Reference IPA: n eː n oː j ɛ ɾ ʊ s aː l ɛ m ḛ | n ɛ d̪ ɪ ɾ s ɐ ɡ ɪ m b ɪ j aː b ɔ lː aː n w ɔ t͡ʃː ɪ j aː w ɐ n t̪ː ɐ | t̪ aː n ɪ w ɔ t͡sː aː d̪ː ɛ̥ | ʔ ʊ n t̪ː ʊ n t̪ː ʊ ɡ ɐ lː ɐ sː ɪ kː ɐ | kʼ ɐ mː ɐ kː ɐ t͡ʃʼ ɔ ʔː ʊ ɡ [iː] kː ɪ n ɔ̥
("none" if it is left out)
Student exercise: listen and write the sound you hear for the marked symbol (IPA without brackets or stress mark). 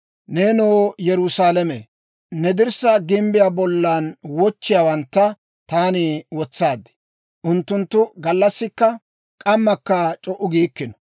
iː